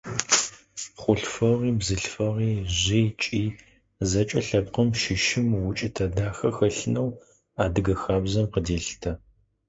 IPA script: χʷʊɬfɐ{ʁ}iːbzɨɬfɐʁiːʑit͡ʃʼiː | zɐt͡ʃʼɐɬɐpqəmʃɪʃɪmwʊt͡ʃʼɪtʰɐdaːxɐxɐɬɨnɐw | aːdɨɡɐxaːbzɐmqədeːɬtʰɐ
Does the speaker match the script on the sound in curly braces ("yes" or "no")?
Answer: yes